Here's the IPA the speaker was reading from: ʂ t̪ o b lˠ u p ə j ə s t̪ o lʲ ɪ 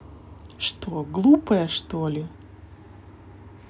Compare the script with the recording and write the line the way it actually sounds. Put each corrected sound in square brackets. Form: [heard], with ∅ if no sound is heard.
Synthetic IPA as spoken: ʂ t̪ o [ɡ] lˠ u p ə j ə [ʂ] t̪ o lʲ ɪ